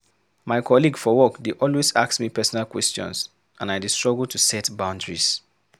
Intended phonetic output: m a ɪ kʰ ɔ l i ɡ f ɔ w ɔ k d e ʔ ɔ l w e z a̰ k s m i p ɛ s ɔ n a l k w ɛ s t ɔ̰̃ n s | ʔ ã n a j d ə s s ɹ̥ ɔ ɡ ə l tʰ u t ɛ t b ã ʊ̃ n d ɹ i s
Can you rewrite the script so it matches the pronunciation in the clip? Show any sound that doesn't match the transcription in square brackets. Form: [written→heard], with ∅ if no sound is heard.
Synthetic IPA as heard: m a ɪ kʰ ɔ l i ɡ f ɔ w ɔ k d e ʔ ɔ l w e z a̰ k s m i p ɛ s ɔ n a l k w ɛ s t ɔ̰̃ n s | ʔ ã n a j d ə s [s→t] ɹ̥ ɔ ɡ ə l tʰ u [t→s] ɛ t b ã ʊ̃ n d ɹ i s